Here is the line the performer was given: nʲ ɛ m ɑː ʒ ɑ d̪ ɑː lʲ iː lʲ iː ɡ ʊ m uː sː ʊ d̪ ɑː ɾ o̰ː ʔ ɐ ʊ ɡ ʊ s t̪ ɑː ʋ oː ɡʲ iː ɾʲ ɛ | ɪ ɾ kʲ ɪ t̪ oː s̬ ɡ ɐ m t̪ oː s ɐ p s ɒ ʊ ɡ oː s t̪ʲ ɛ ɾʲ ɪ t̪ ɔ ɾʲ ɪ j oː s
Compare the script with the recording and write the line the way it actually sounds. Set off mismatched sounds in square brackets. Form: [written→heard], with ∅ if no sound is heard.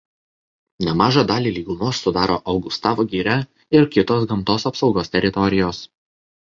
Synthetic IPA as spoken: nʲ ɛ m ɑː ʒ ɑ d̪ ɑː lʲ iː lʲ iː ɡ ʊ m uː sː ʊ d̪ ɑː ɾ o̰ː ʔ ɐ ʊ ɡ ʊ s t̪ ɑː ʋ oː ɡʲ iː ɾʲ ɛ | ɪ ɾ kʲ ɪ t̪ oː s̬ ɡ ɐ m t̪ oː s ɐ p s ɒ ʊ ɡ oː s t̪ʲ ɛ ɾʲ ɪ t̪ ɔ ɾʲ ɪ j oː s

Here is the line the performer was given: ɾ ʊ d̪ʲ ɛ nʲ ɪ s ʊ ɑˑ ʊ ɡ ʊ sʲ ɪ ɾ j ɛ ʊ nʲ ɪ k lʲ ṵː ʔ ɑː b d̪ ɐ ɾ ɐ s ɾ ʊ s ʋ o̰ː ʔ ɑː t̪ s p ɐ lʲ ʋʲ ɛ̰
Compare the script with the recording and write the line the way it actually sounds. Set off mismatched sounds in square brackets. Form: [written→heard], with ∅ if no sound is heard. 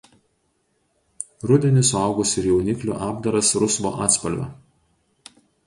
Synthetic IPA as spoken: ɾ ʊ d̪ʲ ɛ nʲ ɪ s ʊ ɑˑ ʊ ɡ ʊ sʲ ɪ ɾ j ɛ ʊ nʲ ɪ k lʲ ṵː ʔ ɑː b d̪ ɐ ɾ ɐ s ɾ ʊ s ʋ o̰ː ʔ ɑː t̪ s p ɐ lʲ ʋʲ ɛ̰

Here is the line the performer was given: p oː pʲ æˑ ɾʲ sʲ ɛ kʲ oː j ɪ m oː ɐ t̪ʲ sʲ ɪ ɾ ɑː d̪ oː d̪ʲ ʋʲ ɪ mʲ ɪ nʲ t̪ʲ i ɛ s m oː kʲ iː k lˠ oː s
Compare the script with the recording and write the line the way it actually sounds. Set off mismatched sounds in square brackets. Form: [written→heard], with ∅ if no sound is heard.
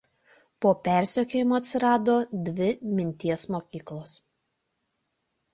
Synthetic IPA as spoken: p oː pʲ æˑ ɾʲ sʲ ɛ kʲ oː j ɪ m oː ɐ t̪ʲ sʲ ɪ ɾ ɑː d̪ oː d̪ʲ ʋʲ ɪ mʲ ɪ nʲ t̪ʲ i ɛ s m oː kʲ iː k lˠ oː s

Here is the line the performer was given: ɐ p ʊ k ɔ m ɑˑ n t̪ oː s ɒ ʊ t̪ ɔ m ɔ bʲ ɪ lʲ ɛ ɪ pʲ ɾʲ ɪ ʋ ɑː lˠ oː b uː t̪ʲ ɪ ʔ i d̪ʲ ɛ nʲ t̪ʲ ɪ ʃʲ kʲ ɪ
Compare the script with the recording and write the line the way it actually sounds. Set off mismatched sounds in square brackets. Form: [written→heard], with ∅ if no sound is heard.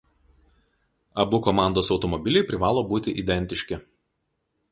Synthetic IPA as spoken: ɐ [p→b] ʊ k ɔ m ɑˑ n [t̪→d̪] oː s ɒ ʊ t̪ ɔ m ɔ bʲ ɪ lʲ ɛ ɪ pʲ ɾʲ ɪ ʋ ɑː lˠ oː b uː t̪ʲ ɪ ʔ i d̪ʲ ɛ nʲ t̪ʲ ɪ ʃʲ kʲ ɪ

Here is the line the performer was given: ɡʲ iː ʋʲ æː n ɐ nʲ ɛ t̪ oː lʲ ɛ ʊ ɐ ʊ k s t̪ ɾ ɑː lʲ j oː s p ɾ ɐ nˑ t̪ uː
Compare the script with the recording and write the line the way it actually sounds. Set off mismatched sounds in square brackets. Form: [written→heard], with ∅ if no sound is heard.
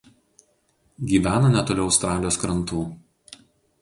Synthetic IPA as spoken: ɡʲ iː ʋʲ æː n ɐ nʲ ɛ t̪ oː lʲ ɛ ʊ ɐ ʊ [k→∅] s t̪ ɾ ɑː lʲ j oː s [p→k] ɾ ɐ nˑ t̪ uː

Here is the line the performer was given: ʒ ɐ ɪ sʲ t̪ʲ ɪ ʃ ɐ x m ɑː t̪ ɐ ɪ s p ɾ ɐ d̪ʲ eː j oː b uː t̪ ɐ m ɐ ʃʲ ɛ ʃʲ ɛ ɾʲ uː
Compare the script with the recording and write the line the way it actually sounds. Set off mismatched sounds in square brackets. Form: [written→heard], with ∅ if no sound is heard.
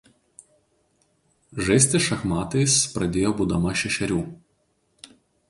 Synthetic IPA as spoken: ʒ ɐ ɪ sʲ t̪ʲ ɪ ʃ ɐ x m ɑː t̪ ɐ ɪ s p ɾ ɐ d̪ʲ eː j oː b uː [t̪→d̪] ɐ m ɐ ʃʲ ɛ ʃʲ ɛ ɾʲ uː

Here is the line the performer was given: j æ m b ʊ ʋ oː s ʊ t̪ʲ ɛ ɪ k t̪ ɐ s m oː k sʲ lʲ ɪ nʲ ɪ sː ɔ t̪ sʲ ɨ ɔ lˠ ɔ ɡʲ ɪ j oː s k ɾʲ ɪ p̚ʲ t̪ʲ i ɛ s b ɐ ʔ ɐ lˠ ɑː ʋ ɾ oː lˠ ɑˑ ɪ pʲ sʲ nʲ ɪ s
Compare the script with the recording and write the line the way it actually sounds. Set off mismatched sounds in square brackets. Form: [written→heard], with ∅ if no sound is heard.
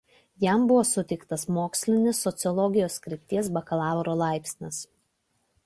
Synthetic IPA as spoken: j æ m b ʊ ʋ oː s ʊ t̪ʲ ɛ ɪ k t̪ ɐ s m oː k sʲ lʲ ɪ nʲ ɪ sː ɔ t̪ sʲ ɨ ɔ lˠ ɔ ɡʲ ɪ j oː s k ɾʲ ɪ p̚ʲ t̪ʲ i ɛ s b ɐ [ʔ→k] ɐ lˠ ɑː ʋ ɾ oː lˠ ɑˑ ɪ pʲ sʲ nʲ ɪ s

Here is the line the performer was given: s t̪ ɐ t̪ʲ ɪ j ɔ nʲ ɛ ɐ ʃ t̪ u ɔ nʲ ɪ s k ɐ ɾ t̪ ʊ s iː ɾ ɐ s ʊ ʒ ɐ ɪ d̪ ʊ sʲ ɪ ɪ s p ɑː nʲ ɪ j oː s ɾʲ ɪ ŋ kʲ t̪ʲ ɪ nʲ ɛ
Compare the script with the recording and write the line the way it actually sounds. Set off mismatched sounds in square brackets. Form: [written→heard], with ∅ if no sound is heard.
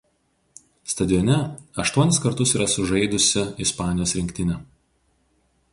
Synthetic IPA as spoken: s t̪ ɐ [t̪ʲ→d̪ʲ] ɪ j ɔ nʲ ɛ ɐ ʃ t̪ u ɔ nʲ ɪ s k ɐ ɾ t̪ ʊ s iː ɾ ɐ s ʊ ʒ ɐ ɪ d̪ ʊ sʲ ɪ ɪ s p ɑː nʲ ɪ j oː s ɾʲ ɪ ŋ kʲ t̪ʲ ɪ nʲ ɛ

